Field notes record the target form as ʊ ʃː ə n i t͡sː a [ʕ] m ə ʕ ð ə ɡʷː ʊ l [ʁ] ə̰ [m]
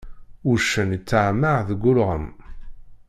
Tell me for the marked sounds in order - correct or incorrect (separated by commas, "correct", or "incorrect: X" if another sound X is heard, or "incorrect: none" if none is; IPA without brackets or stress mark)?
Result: correct, correct, correct